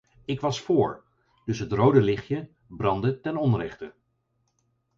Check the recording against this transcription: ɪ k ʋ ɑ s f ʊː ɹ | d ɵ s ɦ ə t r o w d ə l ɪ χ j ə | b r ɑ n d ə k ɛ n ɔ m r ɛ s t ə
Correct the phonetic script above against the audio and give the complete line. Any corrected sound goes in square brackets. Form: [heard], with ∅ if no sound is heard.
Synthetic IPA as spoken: ɪ k ʋ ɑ s f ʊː ɹ | d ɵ s ɦ ə t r o w d ə l ɪ χ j ə | b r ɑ n d ə [t] ɛ n ɔ [n] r ɛ [χ] t ə